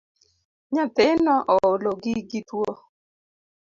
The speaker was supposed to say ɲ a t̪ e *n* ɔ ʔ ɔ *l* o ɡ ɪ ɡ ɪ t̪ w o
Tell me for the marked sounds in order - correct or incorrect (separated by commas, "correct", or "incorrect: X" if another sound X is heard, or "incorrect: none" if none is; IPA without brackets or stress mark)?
correct, correct